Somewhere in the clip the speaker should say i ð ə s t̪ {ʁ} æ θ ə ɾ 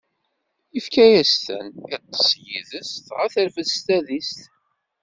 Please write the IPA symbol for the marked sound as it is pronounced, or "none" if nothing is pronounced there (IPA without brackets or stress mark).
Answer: ʁ